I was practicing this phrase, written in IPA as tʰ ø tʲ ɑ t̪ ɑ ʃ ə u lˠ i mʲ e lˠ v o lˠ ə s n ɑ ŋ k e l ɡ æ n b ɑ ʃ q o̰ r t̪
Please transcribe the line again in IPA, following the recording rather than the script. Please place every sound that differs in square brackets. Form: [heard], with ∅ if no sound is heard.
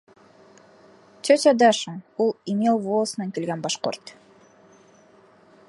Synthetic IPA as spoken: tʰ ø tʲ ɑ [d̪] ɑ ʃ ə u lˠ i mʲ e lˠ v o lˠ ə s n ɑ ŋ k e l ɡ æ n b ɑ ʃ q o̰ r t̪